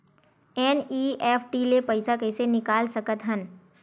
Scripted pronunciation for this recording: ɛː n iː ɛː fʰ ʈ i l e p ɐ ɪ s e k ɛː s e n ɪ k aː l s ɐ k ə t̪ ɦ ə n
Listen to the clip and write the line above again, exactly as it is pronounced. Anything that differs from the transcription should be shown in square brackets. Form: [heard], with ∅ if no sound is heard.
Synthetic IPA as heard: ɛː n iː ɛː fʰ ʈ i l e p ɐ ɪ s [a] k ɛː s e n ɪ k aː l s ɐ k ə t̪ ɦ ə n